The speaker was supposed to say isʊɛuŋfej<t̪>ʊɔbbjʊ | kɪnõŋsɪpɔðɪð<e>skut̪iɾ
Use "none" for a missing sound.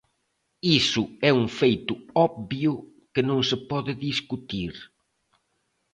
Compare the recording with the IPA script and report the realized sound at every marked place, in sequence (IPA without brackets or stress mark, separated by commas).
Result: t̪, i